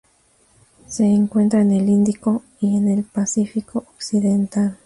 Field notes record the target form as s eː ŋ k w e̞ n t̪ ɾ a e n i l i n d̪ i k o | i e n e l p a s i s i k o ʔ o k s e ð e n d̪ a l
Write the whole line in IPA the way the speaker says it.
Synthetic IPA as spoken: s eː ŋ k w e̞ n t̪ ɾ a e n e l i n d̪ i k o | i e n e l p a s i f i k o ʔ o k s i ð e n t̪ a l

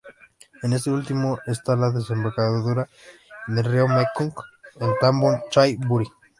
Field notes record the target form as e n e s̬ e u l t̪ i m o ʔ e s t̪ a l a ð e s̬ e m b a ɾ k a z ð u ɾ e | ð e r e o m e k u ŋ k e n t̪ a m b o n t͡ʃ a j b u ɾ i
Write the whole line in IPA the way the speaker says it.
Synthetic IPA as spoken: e n e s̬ e u l t̪ i m o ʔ e s t̪ a l a ð e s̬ e m b a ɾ k a ð ð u ɾ a | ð e r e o m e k u ŋ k e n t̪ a m b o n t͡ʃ a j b u ɾ i

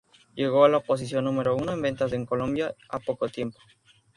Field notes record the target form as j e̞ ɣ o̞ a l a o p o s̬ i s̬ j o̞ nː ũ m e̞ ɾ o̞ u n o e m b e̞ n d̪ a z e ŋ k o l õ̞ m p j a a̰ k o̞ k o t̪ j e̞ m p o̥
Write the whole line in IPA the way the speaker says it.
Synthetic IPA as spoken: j e̞ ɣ o̞ a l a o p o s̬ i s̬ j o̞ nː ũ m e̞ ɾ o̞ u n o e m b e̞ n t̪ a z e ŋ k o l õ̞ m b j a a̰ p o̞ k o t̪ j e̞ m p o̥

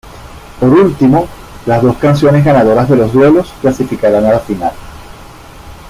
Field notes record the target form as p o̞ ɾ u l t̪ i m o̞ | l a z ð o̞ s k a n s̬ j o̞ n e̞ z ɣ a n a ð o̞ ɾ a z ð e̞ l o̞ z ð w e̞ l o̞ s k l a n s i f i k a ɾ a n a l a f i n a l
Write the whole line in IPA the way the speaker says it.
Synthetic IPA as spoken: p o̞ ɾ u l t̪ i m o̞ | l a z ð o̞ s k a n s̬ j o̞ n e̞ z ɣ a n a ð o̞ ɾ a z ð e̞ l o̞ z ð w e̞ l o̞ s k l a s i f i k a ɾ a n a l a f i n a l

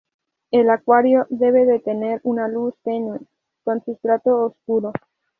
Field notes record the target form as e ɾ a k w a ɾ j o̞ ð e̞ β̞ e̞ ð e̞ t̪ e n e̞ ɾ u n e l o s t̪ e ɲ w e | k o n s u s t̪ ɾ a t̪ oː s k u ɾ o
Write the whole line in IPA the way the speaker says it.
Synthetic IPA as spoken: e l a k w a ɾ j o̞ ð e̞ β̞ e̞ ð e̞ t̪ e n e̞ ɾ u n a l u s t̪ e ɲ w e | k o n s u s t̪ ɾ a t̪ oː s k u ɾ o

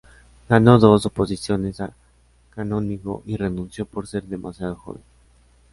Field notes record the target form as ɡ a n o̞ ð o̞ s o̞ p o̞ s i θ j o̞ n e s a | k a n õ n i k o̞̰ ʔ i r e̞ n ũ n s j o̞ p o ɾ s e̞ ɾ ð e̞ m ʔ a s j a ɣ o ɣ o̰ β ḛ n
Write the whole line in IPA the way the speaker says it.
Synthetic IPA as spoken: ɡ a n o̞ ð o̞ s o̞ p o̞ s i s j o̞ n e s a | k a n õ n i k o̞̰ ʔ i r e̞ n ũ n s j o̞ p o ɾ s e̞ ɾ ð e̞ m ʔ a s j a ð o x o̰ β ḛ n

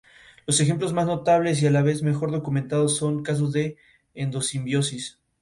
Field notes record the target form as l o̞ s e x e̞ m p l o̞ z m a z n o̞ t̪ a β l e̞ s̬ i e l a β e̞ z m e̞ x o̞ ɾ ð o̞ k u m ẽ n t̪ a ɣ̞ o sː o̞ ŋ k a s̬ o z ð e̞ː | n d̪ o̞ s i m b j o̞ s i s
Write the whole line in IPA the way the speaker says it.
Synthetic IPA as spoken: l o̞ s e x e̞ m p l o̞ z m a z n o̞ t̪ a β l e̞ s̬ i a l a β e̞ z m e̞ x o̞ ɾ ð o̞ k u m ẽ n t̪ a ð̞ o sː o̞ ŋ k a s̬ o z ð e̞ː | n d̪ o̞ s i m b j o̞ s i s

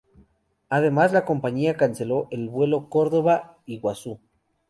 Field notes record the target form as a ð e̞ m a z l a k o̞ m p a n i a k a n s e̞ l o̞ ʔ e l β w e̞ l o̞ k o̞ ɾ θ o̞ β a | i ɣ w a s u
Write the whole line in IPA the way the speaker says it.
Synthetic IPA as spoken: a ð e̞ m a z l a k o̞ m p a ɲ i a k a n s e̞ l o̞ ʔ e l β w e̞ l o̞ k o̞ ɾ ð o̞ β a | i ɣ w a s u

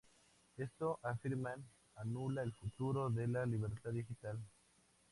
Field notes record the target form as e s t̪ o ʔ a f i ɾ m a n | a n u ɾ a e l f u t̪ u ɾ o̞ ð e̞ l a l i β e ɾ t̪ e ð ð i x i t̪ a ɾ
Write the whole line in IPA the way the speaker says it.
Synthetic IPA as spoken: e s t̪ o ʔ a f i ɾ m a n | a n u l a e l f u t̪ u ɾ o̞ ð e̞ l a l i β e ɾ t̪ a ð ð i x i t̪ a l

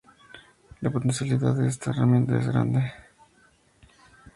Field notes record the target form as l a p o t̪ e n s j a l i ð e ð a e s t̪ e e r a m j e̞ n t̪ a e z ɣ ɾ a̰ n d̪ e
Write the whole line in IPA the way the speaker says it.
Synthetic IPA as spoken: l a p o t̪ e n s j a l i ð a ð e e s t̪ a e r a m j e̞ n t̪ a e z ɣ ɾ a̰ n d̪ e

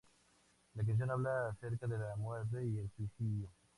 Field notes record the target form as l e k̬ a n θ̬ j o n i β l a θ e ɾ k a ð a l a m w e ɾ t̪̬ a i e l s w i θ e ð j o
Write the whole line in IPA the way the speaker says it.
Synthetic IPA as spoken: l a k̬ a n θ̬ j o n a β l a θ e ɾ k a ð e l a m w e ɾ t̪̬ e i e l s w i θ i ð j o

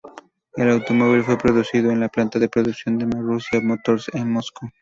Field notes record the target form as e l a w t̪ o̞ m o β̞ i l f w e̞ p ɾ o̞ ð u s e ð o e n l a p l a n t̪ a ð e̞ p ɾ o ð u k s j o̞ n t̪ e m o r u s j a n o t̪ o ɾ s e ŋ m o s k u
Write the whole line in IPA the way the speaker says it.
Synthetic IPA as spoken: e l a w t̪ o̞ m o β̞ i l f w e̞ p ɾ o̞ ð u s i ð o e n l a p l a n t̪ a ð e̞ p ɾ o ð u k s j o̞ n d̪ e m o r u s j a m o t̪ o ɾ s e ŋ m o s k u

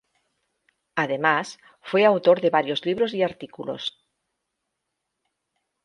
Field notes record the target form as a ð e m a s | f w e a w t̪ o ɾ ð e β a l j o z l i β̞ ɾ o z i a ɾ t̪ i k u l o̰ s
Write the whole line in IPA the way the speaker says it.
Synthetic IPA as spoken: a ð e m a s | f w e a w t̪ o ɾ ð e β a ɾ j o z l i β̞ ɾ o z i a ɾ t̪ i k u l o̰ s

